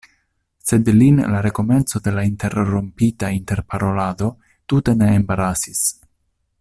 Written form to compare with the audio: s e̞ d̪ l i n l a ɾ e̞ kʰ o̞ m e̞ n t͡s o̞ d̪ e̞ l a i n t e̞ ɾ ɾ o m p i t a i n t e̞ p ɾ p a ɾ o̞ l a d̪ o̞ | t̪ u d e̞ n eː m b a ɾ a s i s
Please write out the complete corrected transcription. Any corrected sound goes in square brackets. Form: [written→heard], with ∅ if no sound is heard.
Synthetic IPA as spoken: s e̞ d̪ l i n l a ɾ e̞ [kʰ→k] o̞ m e̞ n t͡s o̞ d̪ e̞ l a i n t e̞ ɾ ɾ o m p i t a i n t e̞ [p→∅] ɾ p a ɾ o̞ l a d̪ o̞ | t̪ u [d→t] e̞ n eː m b a ɾ a s i s